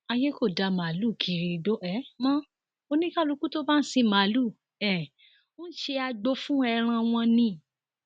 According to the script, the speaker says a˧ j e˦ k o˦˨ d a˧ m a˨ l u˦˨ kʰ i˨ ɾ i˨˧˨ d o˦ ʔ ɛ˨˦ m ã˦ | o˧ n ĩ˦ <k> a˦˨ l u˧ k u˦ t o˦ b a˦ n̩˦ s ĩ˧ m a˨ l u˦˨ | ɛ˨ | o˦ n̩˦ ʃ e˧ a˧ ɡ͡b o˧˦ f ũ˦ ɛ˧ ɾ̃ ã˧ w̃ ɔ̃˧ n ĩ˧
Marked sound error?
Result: no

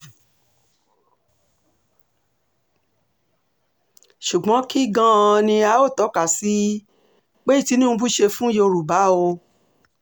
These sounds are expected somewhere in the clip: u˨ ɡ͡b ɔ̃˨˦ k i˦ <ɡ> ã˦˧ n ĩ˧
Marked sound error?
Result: no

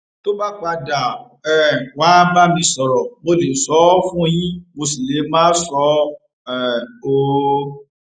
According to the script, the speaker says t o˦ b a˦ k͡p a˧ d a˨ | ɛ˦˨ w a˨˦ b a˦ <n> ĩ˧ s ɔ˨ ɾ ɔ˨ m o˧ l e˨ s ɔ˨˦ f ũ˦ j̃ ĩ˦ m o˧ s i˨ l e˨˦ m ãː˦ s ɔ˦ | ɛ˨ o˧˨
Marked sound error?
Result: yes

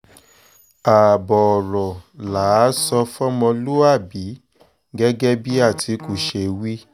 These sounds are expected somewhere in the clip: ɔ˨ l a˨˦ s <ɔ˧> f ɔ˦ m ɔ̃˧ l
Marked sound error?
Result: no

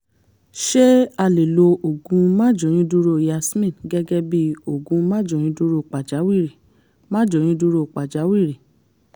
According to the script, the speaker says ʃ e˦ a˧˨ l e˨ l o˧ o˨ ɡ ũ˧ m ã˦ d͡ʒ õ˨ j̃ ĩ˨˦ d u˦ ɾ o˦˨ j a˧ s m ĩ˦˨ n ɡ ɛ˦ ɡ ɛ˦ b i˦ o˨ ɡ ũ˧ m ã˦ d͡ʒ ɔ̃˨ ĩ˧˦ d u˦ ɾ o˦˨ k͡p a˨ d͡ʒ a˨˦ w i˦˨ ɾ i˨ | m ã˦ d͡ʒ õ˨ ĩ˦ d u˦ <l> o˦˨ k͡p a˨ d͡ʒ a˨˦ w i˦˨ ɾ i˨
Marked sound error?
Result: yes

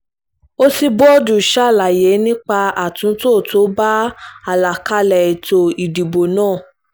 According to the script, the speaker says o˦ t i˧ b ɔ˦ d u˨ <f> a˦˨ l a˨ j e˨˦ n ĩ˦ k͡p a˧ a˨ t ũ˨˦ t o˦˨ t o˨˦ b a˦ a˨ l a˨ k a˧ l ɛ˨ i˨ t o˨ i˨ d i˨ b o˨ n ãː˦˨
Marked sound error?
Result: yes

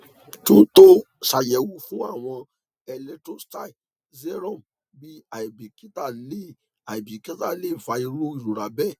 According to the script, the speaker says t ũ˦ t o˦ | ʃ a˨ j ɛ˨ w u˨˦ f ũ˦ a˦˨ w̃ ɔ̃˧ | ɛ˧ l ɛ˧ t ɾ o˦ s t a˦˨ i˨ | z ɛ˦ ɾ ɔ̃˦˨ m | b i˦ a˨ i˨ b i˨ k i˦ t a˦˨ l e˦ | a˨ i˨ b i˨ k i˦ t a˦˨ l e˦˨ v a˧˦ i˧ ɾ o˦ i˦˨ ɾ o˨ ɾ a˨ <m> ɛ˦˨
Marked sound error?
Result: yes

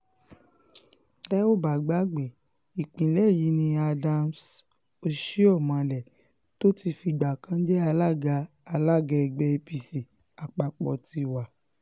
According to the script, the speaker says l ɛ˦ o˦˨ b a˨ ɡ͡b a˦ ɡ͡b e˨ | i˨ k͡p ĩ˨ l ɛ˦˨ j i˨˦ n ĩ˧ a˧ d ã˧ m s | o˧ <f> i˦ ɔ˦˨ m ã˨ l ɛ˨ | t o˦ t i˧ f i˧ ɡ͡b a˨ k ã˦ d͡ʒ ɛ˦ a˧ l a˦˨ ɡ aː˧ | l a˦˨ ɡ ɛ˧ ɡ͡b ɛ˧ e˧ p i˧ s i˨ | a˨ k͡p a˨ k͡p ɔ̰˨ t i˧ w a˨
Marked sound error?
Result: yes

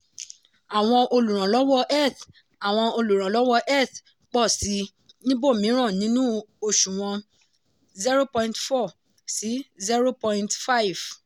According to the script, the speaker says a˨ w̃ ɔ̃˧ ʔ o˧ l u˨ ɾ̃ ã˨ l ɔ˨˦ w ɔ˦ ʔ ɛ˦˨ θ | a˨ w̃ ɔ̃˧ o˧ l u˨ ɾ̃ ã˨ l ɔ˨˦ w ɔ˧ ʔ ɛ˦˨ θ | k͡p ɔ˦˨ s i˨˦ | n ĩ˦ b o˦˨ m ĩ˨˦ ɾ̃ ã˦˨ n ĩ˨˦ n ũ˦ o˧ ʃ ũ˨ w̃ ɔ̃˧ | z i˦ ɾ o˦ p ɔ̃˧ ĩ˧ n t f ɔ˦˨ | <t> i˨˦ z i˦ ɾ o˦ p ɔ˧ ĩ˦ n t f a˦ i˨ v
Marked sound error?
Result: yes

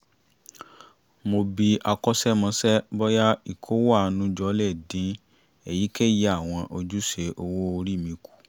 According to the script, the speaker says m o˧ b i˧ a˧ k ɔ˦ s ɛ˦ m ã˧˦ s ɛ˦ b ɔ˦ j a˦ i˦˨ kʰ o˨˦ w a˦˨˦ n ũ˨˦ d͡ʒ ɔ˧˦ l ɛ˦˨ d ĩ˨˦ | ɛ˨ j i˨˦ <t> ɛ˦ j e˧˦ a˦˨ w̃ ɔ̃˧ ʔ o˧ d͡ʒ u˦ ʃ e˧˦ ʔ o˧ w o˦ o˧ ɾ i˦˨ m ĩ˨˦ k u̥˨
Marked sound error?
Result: yes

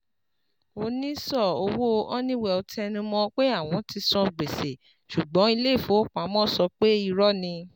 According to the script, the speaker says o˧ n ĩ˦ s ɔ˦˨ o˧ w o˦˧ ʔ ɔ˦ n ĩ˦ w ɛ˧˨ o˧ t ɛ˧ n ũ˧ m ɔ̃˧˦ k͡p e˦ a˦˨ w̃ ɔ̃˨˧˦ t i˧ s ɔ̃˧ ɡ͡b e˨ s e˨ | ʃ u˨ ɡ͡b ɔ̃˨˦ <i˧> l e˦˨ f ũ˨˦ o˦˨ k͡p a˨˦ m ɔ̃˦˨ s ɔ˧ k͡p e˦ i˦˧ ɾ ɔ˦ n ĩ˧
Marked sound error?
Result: no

